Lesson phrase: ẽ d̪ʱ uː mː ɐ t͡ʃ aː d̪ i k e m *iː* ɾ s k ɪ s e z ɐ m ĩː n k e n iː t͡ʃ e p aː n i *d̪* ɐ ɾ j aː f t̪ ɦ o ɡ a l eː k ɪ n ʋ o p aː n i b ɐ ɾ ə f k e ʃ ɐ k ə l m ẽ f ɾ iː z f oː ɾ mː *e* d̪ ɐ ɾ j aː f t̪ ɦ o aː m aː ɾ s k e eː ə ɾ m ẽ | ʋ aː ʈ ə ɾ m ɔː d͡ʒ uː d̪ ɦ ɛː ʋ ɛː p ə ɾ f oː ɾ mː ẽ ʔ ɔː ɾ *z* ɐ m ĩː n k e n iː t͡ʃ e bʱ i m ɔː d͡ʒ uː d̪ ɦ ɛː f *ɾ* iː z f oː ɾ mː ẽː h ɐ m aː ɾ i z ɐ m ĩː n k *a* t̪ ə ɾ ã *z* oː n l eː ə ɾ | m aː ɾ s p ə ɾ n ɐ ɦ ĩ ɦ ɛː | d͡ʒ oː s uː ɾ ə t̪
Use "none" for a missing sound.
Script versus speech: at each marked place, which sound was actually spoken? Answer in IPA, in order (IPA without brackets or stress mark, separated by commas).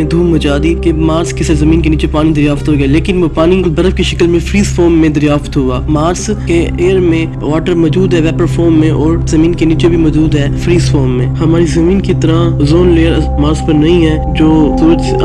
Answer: aː, d̪, ẽ, z, ɾ, i, z